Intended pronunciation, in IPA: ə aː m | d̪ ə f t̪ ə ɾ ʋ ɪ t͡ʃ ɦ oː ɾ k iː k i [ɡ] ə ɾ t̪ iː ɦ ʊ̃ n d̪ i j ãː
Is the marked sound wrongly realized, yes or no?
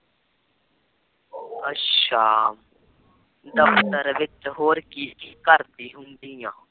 yes